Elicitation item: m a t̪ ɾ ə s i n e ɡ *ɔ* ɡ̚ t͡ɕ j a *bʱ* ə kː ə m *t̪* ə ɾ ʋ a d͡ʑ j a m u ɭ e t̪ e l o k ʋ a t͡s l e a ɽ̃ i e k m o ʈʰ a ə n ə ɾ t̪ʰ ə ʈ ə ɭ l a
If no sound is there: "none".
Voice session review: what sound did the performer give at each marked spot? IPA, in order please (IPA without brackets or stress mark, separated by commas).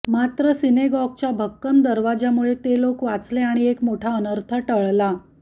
ɔ, bʱ, d̪